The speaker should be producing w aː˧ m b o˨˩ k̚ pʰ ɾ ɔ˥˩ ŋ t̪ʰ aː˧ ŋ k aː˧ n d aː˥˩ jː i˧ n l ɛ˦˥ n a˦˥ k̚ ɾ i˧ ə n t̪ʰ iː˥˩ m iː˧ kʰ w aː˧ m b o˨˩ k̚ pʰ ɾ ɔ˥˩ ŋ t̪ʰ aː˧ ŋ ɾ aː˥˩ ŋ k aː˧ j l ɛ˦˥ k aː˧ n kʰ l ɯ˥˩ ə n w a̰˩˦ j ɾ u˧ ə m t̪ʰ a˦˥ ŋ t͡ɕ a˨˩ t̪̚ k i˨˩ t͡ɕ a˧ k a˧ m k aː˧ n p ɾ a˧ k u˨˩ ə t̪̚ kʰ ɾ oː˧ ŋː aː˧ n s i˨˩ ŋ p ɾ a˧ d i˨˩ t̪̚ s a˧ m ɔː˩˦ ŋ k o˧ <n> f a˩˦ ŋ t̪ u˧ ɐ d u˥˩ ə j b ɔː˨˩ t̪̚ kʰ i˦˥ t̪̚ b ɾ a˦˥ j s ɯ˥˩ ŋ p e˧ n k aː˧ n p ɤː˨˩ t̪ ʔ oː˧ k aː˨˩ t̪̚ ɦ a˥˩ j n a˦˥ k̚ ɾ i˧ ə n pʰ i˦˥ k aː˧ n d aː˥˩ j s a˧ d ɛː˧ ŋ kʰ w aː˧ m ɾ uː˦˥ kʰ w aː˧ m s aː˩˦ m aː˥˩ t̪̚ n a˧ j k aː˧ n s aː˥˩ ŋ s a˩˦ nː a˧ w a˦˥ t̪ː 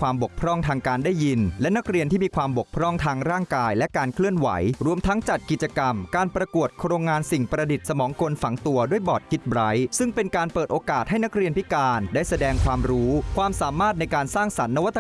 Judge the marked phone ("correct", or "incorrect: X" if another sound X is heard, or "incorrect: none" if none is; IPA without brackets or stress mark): correct